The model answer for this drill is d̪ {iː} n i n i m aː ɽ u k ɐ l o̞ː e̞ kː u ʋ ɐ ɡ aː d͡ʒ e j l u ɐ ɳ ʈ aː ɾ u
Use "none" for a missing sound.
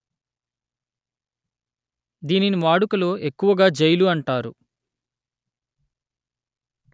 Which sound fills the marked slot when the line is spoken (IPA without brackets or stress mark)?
iː